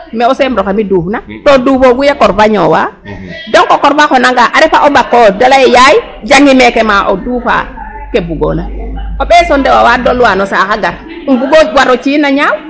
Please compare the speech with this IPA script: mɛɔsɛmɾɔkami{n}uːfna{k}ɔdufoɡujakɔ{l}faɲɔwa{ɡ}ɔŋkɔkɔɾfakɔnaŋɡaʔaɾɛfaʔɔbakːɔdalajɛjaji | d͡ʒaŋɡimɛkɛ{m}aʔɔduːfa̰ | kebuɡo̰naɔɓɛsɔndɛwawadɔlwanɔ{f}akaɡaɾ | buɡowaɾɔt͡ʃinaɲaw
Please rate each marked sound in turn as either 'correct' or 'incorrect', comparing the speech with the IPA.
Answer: incorrect, incorrect, incorrect, incorrect, correct, incorrect

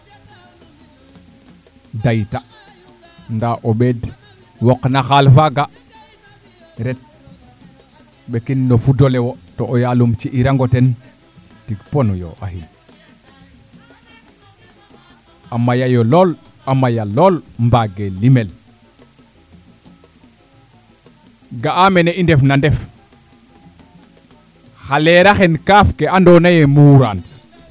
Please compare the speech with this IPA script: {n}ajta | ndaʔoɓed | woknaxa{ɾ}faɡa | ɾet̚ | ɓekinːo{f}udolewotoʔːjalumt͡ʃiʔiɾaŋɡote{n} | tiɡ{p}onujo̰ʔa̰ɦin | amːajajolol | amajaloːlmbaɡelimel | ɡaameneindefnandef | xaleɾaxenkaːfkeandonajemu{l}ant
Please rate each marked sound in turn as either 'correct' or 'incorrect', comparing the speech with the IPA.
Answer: incorrect, incorrect, correct, correct, correct, incorrect

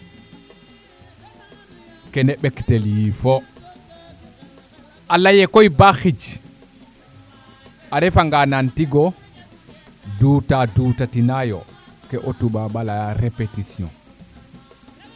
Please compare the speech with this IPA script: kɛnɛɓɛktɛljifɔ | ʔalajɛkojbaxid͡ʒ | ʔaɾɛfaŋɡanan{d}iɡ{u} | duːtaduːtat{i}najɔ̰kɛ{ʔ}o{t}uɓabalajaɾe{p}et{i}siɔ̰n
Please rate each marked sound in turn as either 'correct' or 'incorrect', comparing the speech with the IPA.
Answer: incorrect, incorrect, correct, correct, correct, correct, correct

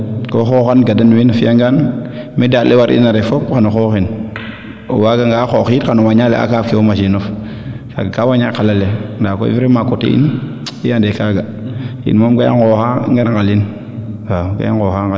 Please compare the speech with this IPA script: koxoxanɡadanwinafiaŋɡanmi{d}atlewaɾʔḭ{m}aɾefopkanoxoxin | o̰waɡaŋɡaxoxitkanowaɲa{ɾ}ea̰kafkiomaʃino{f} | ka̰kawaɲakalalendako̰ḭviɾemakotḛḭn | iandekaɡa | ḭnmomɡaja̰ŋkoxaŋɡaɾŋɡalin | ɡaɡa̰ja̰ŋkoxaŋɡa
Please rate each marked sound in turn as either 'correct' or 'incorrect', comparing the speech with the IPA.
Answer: correct, incorrect, incorrect, correct

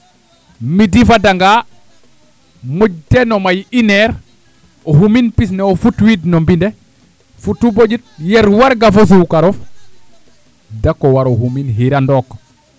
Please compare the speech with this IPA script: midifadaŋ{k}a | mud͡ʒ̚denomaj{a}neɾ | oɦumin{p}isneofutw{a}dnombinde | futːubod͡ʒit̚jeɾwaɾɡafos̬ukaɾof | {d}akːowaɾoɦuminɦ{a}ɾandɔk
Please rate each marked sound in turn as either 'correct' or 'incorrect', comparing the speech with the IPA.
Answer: incorrect, incorrect, correct, incorrect, correct, incorrect

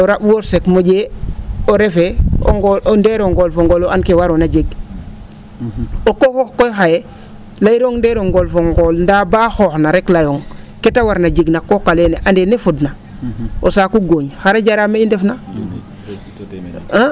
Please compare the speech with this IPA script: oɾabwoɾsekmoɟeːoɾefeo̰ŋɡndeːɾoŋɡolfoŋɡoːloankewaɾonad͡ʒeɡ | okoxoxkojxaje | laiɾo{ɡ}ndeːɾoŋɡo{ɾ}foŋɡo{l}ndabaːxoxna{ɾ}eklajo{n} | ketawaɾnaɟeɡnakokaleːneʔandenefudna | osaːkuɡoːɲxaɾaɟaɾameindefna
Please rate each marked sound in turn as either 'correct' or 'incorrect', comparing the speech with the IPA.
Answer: incorrect, incorrect, correct, correct, incorrect

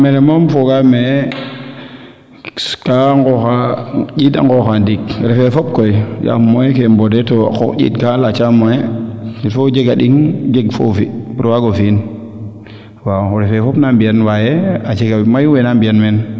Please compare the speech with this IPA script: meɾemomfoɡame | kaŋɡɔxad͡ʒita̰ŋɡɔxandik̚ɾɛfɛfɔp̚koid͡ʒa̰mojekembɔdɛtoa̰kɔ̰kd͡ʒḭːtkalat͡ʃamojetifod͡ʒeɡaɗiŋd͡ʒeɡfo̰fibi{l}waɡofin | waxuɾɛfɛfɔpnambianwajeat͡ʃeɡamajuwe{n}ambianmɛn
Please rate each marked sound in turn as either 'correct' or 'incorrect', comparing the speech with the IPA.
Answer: incorrect, correct

